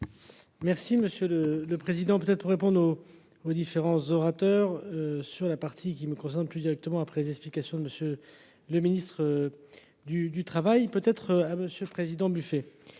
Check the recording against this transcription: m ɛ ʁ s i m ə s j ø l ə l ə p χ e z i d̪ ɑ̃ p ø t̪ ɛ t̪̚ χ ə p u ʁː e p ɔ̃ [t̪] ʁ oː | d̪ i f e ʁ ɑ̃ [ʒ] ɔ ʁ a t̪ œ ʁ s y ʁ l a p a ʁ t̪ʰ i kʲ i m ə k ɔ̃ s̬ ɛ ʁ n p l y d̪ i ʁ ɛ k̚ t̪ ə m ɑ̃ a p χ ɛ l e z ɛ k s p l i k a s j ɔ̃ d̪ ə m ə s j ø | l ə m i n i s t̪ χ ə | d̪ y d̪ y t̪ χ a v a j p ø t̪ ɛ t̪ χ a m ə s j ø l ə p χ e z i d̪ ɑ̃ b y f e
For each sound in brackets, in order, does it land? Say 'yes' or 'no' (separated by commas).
no, no